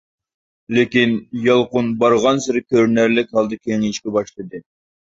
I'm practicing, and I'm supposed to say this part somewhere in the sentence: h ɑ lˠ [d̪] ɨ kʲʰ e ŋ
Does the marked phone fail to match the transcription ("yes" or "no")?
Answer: no